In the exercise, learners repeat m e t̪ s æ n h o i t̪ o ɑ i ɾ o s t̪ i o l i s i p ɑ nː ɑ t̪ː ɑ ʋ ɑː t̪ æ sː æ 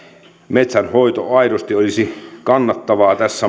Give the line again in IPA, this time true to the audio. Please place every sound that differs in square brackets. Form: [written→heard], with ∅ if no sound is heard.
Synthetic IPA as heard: m e t̪ s æ n h o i t̪ o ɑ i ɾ o s t̪ i o l i s i [p→k] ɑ nː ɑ t̪ː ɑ ʋ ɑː t̪ æ sː æ

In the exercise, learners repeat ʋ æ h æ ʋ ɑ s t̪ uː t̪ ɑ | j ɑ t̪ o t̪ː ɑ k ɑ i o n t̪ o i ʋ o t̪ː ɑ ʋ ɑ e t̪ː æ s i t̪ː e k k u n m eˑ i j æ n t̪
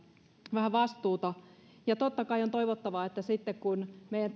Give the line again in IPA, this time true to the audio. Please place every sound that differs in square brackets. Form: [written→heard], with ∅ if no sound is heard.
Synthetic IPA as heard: ʋ æ h æ ʋ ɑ s t̪ uː t̪ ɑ | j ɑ t̪ o t̪ː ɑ k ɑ i o n t̪ o i ʋ o t̪ː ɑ ʋ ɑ e t̪ː æ s i t̪ː e k k u n m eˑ i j æ n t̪

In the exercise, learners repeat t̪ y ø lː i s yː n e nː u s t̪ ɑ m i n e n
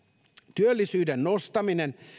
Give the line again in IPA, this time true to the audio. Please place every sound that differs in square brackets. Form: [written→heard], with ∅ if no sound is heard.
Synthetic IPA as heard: t̪ y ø lː i s yː [n→d] e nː [u→o] s t̪ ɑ m i n e n

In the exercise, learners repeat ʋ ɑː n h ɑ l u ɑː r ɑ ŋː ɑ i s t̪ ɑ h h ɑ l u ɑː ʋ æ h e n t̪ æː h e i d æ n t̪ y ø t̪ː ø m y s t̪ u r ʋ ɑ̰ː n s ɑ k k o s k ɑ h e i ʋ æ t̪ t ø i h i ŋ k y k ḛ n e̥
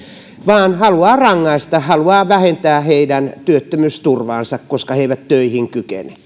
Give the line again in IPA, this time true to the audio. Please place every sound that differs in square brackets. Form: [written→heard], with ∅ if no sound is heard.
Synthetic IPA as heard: ʋ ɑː n h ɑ l u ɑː r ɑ ŋː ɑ i s t̪ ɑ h h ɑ l u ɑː ʋ æ h e n t̪ æː h e i d æ n t̪ y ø t̪ː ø m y s t̪ u r ʋ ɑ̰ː n s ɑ k k o s k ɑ h e i ʋ æ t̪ t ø i h i ŋ k y k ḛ n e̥

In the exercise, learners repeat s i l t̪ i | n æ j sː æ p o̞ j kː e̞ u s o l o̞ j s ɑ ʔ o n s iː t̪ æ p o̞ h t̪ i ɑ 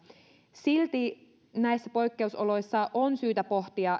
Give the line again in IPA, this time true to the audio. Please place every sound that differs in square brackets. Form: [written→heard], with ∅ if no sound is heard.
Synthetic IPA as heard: s i l t̪ i | n æ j sː æ p o̞ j kː e̞ u s o l o̞ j [s→sː] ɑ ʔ o n s [iː→yː] t̪ æ p o̞ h t̪ i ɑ

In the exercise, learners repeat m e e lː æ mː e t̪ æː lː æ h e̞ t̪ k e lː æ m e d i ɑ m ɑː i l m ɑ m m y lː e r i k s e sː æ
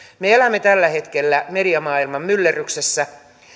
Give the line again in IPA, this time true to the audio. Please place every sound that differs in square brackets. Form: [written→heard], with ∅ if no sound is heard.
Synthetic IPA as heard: m e e [lː→l] æ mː e t̪ [æː→æ] lː æ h e̞ t̪ k e lː æ m e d i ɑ m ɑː i l m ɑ m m y lː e r [i→y] k s e sː æ

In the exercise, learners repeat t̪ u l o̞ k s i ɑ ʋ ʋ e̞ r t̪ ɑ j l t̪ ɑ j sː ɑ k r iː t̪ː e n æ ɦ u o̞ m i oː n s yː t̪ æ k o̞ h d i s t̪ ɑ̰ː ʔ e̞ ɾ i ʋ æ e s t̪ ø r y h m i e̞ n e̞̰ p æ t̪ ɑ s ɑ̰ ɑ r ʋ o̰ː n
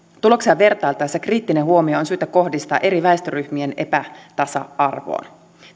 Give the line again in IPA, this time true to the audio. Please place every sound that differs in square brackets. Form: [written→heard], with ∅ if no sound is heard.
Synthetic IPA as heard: t̪ u l o̞ k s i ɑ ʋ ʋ e̞ r t̪ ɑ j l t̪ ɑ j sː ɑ k r iː t̪ː [e→i] n [æ→e] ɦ u o̞ m i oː n s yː t̪ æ k o̞ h d i s t̪ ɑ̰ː ʔ e̞ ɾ i ʋ æ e s t̪ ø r y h m i e̞ n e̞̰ p æ t̪ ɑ s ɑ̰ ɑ r ʋ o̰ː n

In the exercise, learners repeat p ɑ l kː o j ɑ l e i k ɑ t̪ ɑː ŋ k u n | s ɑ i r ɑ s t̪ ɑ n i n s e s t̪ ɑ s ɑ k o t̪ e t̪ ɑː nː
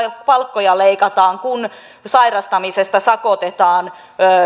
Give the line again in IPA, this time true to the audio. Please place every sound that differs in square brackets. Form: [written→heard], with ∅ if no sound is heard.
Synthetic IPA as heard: p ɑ l kː o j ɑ l e i k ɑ t̪ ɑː ŋ k u n | s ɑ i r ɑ s t̪ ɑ [n→m] i [n→∅] s e s t̪ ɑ s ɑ k o t̪ e t̪ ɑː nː

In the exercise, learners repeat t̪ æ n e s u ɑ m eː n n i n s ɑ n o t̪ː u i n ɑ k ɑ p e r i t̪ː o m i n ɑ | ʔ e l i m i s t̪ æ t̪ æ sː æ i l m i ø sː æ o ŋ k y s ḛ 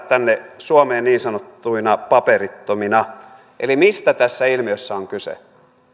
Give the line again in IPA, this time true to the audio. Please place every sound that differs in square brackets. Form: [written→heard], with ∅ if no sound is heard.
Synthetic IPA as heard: t̪ æ [n→nː] e s u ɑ m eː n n [i→iː] n s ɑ n o t̪ː u i n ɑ [k→p] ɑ p e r i t̪ː o m i n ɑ | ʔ e l i m i s t̪ æ t̪ æ sː æ i l m i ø sː æ o ŋ k y s ḛ

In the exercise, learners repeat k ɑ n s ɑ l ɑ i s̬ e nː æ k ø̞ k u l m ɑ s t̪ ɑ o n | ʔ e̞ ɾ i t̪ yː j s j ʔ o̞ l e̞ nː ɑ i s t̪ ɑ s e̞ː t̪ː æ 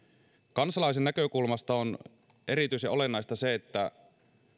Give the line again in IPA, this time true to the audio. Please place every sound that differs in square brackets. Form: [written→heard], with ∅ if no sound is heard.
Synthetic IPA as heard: k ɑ n s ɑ l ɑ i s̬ e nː æ k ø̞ k u l m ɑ s t̪ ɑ o n | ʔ e̞ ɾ i t̪ [yː→y] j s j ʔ o̞ l e̞ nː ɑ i s t̪ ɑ s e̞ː t̪ː æ

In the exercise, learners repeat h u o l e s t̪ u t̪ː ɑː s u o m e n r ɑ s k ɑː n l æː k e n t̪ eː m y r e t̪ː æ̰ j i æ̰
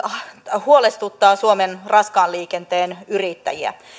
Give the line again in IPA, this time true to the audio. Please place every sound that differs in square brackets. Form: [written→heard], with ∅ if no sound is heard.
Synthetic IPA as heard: h u o l e s t̪ u t̪ː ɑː s u o m e n r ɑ s k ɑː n l [æː→iː] k e n t̪ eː [m→n] y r [e→i] t̪ː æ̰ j i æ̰

